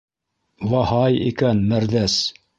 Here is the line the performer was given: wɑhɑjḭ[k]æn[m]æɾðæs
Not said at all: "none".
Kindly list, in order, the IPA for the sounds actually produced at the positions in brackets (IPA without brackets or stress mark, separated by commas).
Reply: k, m